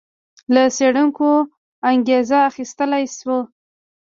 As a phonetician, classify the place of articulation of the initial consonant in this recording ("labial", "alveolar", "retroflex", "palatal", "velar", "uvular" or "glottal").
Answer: alveolar